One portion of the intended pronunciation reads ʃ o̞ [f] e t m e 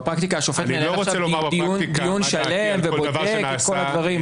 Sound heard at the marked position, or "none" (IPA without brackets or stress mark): f